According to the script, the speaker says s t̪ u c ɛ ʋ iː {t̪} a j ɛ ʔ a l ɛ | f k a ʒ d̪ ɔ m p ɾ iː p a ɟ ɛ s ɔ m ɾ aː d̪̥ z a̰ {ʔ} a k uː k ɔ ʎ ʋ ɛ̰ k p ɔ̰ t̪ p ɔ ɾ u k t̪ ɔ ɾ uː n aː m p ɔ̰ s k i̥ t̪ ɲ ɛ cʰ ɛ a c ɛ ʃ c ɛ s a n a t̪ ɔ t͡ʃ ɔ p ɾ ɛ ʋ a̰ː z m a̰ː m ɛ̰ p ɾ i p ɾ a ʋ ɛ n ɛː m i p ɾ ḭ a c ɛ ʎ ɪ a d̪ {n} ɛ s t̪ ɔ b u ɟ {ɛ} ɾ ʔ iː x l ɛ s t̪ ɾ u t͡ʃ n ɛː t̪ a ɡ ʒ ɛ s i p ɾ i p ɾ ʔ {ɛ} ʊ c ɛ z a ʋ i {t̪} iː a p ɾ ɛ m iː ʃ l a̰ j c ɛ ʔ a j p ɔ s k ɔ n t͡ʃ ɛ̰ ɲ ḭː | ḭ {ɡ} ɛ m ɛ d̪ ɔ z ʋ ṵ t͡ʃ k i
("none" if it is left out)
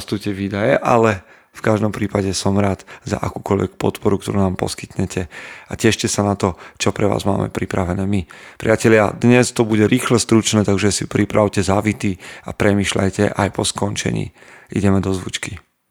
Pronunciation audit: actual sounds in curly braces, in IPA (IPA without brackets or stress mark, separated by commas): d̪, ʔ, ɲ, ɛ, a, t̪, ɟ